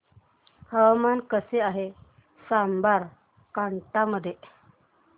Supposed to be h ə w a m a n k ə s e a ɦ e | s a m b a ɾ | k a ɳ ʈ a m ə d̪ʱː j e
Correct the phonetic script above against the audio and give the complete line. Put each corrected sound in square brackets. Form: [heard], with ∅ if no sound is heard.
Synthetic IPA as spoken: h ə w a m a n k ə s e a ɦ e | s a m b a ɾ | k a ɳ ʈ a m ə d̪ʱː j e